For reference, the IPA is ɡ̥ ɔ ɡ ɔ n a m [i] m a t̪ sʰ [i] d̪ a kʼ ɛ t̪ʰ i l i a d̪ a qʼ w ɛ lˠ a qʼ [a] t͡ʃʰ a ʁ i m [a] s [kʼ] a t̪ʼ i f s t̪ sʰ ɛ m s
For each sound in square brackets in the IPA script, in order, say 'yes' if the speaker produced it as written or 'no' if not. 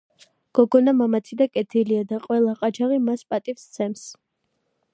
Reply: no, yes, yes, yes, no

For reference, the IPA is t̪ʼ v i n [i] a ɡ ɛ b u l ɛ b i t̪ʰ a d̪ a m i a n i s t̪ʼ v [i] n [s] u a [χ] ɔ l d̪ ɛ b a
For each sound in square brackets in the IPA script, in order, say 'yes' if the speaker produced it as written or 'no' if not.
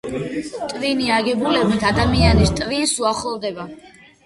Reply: yes, yes, yes, yes

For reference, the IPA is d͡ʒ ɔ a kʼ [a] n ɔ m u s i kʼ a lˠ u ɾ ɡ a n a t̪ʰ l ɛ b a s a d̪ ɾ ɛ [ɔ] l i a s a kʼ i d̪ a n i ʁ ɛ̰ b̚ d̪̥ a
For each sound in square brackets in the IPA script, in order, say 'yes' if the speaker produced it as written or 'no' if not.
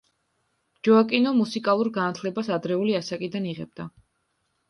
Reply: no, no

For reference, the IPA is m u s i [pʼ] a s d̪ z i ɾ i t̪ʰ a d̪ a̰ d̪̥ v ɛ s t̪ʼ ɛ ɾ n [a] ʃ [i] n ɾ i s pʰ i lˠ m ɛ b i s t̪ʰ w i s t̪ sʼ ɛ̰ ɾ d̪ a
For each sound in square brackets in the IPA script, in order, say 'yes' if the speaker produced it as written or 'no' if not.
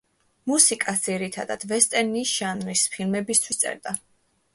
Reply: no, no, no

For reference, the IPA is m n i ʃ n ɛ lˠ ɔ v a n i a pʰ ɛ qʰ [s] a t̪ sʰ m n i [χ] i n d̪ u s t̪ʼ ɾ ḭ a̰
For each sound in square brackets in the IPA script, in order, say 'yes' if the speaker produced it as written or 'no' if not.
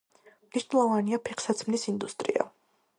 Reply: yes, no

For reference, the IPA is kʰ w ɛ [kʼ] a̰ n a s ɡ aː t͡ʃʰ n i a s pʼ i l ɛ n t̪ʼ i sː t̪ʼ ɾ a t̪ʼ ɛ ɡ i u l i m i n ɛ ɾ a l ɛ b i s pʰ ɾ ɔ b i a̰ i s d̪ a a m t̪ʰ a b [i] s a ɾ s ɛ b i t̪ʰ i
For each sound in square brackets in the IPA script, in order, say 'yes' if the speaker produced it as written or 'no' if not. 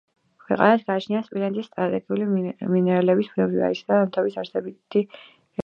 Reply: no, yes

